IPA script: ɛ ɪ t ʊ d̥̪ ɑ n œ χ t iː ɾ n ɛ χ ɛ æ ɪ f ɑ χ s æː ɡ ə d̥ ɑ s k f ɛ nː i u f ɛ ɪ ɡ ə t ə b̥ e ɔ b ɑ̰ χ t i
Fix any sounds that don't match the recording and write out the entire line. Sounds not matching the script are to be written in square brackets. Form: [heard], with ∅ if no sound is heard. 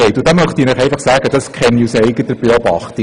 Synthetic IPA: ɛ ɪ t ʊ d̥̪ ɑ [m] œ χ t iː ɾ n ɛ χ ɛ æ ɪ f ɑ χ s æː ɡ ə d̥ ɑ s k [χ] ɛ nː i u [s] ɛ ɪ ɡ ə t ə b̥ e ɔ b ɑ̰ χ t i